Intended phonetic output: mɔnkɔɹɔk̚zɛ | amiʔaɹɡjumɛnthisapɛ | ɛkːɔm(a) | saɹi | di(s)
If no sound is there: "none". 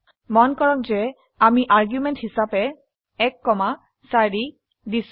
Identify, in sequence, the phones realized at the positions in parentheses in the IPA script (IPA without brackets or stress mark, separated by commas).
a, s